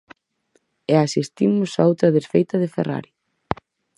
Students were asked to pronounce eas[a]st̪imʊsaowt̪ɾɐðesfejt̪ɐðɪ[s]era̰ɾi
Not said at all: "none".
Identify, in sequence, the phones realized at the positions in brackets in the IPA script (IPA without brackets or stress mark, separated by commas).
i, f